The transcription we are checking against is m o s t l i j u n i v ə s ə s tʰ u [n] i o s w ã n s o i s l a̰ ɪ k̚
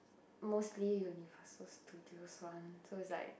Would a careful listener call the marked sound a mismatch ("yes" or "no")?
yes